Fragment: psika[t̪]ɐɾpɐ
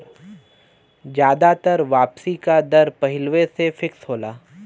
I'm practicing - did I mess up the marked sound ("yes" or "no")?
yes